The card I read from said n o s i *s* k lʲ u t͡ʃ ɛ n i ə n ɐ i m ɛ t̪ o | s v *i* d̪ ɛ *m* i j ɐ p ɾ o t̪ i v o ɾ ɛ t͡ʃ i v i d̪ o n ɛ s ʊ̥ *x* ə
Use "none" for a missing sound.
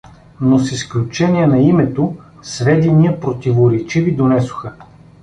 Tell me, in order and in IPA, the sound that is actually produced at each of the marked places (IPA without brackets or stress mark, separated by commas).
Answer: s, ɛ, n, x